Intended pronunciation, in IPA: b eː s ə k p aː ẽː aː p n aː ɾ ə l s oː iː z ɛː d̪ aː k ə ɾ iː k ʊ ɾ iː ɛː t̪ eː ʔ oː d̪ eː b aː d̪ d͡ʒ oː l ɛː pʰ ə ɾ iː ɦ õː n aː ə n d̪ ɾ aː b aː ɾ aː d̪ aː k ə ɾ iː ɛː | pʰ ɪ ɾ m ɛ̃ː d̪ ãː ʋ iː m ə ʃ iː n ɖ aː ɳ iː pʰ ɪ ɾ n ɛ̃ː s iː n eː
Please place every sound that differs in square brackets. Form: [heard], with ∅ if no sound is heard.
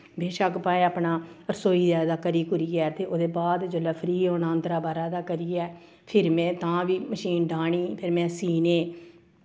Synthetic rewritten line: b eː [ʃ] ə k p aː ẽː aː p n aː ɾ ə [∅] s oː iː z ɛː d̪ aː k ə ɾ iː k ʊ ɾ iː ɛː t̪ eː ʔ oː d̪ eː b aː d̪ d͡ʒ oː l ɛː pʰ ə ɾ iː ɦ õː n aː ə n d̪ ɾ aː b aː ɾ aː d̪ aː k ə ɾ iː ɛː | pʰ ɪ ɾ m ɛ̃ː [t̪] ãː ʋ iː m ə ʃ iː n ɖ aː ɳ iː pʰ ɪ ɾ [m] ɛ̃ː s iː n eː